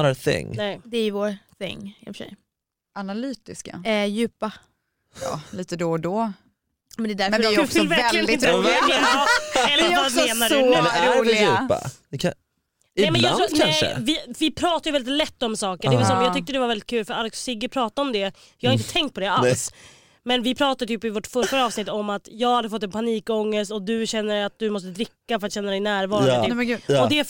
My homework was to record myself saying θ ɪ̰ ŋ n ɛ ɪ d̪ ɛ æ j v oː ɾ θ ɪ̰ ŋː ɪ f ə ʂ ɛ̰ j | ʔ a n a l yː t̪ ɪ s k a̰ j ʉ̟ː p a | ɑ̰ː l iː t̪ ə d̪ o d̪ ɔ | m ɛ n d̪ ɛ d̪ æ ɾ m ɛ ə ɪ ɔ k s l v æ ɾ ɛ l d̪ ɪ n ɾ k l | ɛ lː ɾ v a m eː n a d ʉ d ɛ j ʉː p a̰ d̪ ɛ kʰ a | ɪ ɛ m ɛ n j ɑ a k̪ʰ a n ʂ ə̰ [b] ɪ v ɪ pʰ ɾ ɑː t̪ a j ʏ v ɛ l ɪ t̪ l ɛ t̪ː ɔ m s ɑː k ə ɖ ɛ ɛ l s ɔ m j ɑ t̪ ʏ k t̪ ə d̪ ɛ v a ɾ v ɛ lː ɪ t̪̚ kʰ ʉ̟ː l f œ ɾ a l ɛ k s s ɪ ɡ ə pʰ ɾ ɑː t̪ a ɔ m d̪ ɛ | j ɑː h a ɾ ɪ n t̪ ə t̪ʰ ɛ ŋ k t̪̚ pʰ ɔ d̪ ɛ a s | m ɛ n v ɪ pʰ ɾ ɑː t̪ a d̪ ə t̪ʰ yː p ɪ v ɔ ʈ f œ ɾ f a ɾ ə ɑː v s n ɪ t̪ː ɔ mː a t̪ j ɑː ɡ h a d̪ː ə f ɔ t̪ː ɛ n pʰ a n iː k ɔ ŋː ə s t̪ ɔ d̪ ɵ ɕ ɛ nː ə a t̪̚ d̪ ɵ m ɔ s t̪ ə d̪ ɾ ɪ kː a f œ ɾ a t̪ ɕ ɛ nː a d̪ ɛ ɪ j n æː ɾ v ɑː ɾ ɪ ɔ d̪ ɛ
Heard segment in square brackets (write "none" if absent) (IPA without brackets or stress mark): v